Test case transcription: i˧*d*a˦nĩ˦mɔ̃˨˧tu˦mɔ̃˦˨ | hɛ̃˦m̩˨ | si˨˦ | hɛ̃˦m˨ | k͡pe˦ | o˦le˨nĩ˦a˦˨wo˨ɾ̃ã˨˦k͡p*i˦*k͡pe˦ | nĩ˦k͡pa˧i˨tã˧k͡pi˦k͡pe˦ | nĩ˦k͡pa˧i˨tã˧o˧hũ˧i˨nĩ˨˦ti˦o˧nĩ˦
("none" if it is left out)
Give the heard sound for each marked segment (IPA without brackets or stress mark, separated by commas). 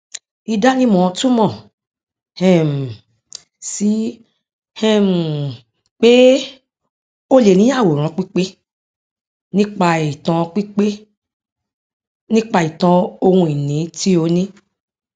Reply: d, i˦